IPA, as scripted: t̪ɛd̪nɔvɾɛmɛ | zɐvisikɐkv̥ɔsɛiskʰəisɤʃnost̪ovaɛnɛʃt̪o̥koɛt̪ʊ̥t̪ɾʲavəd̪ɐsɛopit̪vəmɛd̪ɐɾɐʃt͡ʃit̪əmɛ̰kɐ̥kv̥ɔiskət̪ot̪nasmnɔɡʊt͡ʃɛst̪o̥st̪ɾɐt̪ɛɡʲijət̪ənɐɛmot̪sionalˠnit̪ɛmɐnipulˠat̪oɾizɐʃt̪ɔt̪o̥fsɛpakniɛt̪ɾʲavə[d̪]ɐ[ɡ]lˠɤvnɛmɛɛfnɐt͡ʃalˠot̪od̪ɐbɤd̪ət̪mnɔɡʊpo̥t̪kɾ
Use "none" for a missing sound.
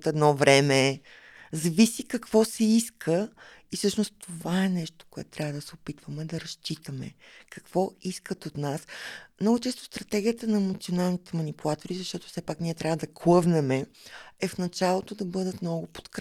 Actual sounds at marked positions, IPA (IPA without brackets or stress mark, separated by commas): d̪, k